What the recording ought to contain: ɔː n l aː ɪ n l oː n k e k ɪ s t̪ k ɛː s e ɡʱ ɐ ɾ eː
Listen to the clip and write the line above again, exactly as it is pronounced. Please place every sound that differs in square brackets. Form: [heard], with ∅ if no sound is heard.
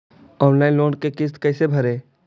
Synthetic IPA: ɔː n l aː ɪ n l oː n k e k ɪ s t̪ k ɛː s e [bʱ] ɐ ɾ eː